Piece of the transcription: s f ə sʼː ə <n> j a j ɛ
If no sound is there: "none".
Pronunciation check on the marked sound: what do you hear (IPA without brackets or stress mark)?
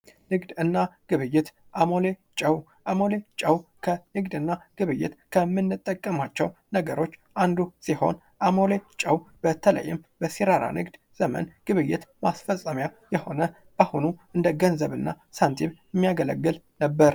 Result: m